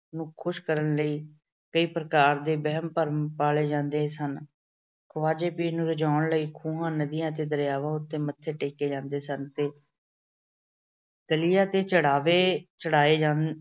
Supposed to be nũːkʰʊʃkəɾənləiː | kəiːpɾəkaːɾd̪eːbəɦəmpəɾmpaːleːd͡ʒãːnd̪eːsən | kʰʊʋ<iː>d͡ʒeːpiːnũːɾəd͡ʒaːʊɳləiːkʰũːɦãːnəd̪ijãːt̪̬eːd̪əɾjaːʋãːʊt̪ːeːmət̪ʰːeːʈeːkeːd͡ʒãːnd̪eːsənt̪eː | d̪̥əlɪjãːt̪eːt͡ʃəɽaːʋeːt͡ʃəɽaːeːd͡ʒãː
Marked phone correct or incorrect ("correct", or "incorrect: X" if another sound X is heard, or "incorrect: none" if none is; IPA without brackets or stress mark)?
incorrect: aː